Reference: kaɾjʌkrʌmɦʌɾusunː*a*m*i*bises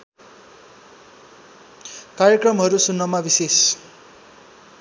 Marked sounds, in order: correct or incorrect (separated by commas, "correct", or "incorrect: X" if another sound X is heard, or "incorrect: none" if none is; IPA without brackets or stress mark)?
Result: incorrect: ʌ, incorrect: a